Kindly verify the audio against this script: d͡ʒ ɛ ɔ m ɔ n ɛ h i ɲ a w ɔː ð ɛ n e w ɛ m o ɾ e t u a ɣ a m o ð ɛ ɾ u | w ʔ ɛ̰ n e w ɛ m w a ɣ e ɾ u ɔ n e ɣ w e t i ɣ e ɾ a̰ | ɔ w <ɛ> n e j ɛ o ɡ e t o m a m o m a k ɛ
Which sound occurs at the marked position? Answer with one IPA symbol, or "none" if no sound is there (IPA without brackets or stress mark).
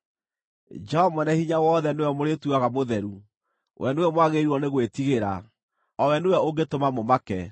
ɛ